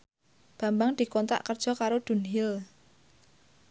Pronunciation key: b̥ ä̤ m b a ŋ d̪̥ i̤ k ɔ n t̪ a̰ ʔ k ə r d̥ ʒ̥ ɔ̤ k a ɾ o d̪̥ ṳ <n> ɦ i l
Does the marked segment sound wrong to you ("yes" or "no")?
no